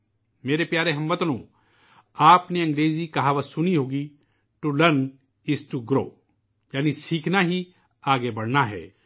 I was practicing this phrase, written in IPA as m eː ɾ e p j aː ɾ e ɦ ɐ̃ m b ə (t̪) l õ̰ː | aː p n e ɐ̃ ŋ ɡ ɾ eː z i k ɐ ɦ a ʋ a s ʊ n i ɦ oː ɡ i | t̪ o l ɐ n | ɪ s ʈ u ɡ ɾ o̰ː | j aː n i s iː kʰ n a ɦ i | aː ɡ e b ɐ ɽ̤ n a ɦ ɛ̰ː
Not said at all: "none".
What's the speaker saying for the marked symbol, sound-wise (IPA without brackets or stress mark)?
t̪